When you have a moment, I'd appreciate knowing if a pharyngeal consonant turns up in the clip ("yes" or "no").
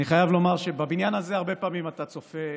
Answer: no